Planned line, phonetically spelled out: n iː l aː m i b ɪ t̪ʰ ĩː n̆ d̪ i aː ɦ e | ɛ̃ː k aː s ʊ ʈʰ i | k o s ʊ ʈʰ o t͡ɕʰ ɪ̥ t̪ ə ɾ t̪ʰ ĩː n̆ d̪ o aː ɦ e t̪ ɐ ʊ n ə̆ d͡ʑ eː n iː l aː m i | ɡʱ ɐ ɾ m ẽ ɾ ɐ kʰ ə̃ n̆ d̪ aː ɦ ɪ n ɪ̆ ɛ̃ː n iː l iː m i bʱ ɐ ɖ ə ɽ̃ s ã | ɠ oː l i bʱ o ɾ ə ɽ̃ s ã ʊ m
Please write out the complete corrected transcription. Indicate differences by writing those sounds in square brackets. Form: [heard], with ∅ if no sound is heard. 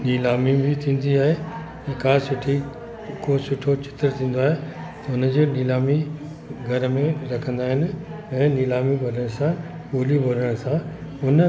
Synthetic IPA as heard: n iː l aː m i b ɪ t̪ʰ ĩː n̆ d̪ i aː ɦ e | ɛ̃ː k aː s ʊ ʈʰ i | k o s ʊ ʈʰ o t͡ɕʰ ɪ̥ t̪ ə ɾ t̪ʰ ĩː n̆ d̪ o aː ɦ e t̪ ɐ ʊ n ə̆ d͡ʑ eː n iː l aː m i | ɡʱ ɐ ɾ m ẽ ɾ ɐ kʰ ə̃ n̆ d̪ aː ɦ ɪ n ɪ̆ ɛ̃ː n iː l [aː] m i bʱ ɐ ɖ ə ɽ̃ s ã | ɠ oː l i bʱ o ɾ ə ɽ̃ s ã ʊ [n]